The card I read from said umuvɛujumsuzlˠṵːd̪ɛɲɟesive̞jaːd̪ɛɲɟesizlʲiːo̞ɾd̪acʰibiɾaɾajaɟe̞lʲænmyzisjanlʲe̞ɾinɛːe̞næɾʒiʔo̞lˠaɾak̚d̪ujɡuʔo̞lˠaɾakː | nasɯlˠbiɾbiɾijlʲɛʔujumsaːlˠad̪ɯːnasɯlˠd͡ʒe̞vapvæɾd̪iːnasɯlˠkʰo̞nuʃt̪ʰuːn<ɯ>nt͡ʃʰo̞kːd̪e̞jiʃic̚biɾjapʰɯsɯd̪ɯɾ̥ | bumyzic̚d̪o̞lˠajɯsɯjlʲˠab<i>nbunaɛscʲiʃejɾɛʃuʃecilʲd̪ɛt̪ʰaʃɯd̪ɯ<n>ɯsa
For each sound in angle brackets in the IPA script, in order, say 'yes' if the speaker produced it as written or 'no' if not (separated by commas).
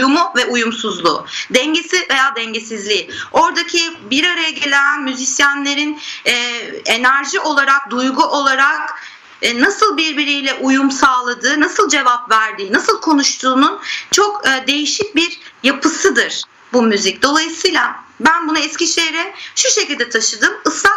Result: no, no, no